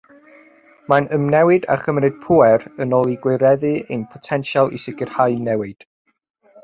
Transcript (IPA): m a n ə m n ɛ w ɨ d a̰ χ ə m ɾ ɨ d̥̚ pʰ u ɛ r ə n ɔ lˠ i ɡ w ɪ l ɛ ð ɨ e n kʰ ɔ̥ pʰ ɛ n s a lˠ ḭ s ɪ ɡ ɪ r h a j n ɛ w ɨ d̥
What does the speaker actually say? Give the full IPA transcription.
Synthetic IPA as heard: m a n ə m n ɛ w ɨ d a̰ χ ə m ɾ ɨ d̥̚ pʰ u ɛ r ə n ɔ lˠ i ɡ w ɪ ɾ ɛ ð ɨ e n pʰ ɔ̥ tʰ ɛ n ʃ a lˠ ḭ s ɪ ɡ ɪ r h a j n ɛ w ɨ d̥